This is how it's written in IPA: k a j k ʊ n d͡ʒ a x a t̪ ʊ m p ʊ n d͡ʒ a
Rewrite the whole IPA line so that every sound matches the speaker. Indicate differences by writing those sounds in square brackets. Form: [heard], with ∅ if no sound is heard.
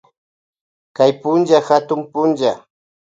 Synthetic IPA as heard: k a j [p] ʊ n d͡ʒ a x a t̪ ʊ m p ʊ n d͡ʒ a

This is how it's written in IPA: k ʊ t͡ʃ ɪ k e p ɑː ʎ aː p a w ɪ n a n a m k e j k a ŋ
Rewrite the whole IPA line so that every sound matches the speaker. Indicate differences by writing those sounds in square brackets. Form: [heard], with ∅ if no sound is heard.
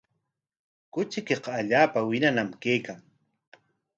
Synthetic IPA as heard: k ʊ t͡ʃ ɪ k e [q] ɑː ʎ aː p a w ɪ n a n a m k e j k a ŋ

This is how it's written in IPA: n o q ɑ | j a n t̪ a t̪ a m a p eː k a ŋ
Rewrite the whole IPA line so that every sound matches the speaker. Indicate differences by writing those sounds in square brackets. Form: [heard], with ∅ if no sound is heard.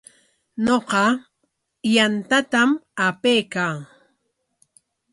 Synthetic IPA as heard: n o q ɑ | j a n t̪ a t̪ a m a p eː k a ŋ

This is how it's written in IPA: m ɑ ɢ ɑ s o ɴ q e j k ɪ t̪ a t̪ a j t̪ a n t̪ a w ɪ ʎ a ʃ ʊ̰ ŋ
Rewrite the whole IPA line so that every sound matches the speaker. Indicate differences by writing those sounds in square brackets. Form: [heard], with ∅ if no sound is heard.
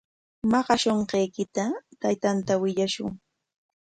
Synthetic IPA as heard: m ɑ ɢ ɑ [ʃ] o ɴ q e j k ɪ t̪ a t̪ a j t̪ a n t̪ a w ɪ ʎ a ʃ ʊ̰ ŋ

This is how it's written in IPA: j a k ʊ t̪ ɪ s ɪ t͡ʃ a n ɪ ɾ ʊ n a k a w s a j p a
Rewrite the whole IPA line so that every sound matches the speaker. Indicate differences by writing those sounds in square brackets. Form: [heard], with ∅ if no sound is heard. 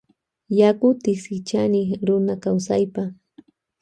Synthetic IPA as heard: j a k ʊ t̪ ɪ s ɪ t͡ʃ a n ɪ ɾ ʊ n a k a w s a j p a

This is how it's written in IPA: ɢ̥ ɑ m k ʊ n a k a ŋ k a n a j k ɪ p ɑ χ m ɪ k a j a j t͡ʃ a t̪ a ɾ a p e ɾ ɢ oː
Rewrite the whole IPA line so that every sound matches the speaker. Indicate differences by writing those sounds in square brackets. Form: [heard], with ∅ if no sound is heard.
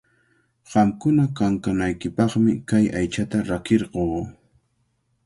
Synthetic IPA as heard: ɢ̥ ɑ m k ʊ n a k a ŋ k a n a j k ɪ p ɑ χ m ɪ k a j a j t͡ʃ a t̪ a ɾ a [k] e ɾ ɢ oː

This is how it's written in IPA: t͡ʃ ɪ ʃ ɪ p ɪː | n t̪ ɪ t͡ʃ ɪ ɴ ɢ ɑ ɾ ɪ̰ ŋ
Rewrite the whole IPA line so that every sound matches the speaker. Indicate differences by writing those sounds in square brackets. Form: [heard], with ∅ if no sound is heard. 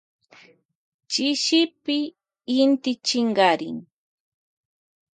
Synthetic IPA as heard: t͡ʃ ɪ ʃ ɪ p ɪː | n t̪ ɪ t͡ʃ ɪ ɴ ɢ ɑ ɾ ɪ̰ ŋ

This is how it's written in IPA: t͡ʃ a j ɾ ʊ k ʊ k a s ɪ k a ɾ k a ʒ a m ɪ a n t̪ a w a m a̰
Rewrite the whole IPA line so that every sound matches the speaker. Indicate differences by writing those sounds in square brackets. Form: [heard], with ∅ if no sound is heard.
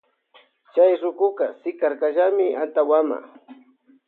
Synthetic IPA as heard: t͡ʃ a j ɾ ʊ k ʊ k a s ɪ k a ɾ k a ʒ a m ɪ a n t̪ a w a m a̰

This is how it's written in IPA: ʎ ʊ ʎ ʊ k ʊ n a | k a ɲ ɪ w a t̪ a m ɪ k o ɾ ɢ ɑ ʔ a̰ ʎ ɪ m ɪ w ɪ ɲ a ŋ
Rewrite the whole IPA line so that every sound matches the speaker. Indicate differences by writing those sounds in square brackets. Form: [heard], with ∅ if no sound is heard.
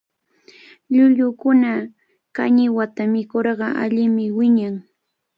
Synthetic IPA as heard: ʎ ʊ ʎ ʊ k ʊ n a | k a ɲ ɪ w a t̪ a m ɪ k o ɾ ɢ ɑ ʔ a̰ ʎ ɪ m ɪ w ɪ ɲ a ŋ

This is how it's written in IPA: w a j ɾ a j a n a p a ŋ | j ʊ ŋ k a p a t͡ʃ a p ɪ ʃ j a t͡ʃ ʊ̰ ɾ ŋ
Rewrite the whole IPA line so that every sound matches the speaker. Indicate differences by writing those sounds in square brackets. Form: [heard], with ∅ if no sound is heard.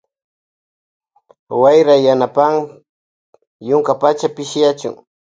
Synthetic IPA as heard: w a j ɾ a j a n a p a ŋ | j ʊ ŋ k a p a t͡ʃ a p ɪ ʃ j a t͡ʃ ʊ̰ [∅] ŋ

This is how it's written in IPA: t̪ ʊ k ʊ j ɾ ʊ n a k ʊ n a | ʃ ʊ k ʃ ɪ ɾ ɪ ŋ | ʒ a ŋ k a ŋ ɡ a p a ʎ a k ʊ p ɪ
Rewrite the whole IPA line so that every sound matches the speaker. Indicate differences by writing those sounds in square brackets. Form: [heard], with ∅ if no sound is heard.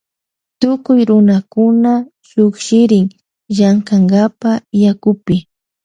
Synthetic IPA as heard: t̪ ʊ k ʊ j ɾ ʊ n a k ʊ n a | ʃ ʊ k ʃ ɪ ɾ ɪ ŋ | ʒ a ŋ k a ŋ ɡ a p a [j] a k ʊ p ɪ

